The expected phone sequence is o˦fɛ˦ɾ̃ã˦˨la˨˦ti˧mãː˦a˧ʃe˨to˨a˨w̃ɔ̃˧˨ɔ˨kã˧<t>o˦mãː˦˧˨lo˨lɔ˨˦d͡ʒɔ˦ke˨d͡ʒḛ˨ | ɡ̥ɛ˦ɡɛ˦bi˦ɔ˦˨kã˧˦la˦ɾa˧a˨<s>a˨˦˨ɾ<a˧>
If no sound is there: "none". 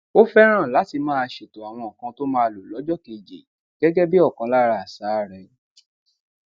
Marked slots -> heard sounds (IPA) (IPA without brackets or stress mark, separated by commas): t, s, ɛ˧